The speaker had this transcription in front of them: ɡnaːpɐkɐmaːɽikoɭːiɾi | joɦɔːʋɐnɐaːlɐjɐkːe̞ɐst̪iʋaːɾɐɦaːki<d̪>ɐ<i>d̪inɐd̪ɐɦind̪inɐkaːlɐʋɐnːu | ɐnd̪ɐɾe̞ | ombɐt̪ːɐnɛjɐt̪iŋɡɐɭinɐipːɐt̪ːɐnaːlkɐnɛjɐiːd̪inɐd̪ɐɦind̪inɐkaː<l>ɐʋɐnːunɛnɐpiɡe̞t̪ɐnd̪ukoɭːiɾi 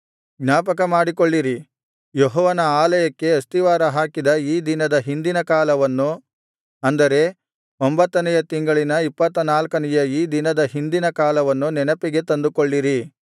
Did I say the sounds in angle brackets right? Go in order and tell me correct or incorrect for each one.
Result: correct, incorrect, correct

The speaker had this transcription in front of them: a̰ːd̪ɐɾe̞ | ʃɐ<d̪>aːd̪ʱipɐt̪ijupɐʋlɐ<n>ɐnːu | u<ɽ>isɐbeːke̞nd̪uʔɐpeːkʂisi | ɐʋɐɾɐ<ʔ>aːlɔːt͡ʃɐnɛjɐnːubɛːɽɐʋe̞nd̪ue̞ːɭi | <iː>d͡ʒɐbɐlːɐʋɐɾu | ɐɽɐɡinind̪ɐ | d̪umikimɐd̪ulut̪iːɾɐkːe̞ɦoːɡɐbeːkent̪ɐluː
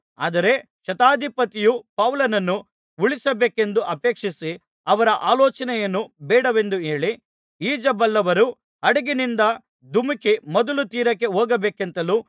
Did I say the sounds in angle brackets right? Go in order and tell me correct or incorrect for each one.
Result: incorrect, correct, incorrect, correct, correct

